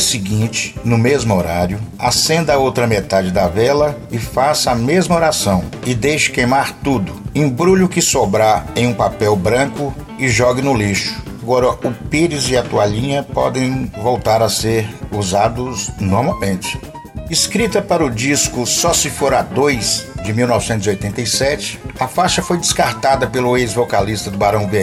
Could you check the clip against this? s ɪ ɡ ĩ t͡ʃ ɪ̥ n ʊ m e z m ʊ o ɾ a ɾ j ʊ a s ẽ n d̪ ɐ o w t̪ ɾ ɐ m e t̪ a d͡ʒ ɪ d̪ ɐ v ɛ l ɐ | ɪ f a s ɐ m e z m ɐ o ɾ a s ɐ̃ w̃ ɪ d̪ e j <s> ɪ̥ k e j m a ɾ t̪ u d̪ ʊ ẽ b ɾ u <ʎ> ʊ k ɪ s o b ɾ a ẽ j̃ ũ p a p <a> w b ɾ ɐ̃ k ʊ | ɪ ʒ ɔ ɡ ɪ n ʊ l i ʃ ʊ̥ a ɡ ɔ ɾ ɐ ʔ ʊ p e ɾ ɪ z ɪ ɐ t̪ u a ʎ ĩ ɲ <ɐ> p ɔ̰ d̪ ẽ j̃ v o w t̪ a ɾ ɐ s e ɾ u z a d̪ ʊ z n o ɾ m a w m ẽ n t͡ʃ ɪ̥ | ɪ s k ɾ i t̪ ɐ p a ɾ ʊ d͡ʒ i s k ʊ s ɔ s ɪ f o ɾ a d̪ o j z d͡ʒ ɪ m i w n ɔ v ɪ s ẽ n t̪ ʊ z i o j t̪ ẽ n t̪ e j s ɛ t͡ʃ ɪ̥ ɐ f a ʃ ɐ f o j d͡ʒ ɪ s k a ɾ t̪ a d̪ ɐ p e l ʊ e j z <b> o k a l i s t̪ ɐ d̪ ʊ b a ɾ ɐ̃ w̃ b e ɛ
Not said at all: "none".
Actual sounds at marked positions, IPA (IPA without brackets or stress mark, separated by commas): ʃ, ʎ, ɛ, ɐ, v